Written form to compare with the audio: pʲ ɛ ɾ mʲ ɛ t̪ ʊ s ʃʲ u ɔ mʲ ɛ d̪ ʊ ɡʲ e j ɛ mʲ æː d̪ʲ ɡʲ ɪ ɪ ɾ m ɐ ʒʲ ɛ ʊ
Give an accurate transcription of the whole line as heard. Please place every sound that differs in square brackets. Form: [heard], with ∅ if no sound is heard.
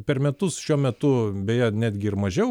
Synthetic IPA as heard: pʲ ɛ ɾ mʲ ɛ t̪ ʊ s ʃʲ u ɔ mʲ ɛ [t̪] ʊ [bʲ] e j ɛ [nʲ] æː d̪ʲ ɡʲ ɪ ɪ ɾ m ɐ ʒʲ ɛ ʊ